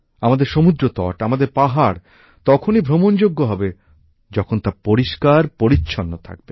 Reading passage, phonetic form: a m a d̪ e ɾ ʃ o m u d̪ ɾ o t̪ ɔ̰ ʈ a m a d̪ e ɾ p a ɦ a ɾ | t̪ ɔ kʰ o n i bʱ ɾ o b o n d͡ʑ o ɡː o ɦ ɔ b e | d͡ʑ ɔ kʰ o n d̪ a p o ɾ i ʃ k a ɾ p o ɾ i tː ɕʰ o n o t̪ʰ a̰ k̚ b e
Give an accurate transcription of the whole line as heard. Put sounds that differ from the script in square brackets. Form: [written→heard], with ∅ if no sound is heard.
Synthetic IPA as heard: a m a d̪ e ɾ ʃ o m u d̪ ɾ o t̪ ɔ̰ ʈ a m a d̪ e ɾ p a ɦ a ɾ | t̪ ɔ kʰ o n i bʱ ɾ o [b→m] o n d͡ʑ o ɡː o ɦ ɔ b e | d͡ʑ ɔ kʰ o n [d̪→t̪] a p o ɾ i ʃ k a ɾ p o ɾ i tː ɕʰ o [n→nː] o t̪ʰ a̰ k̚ b e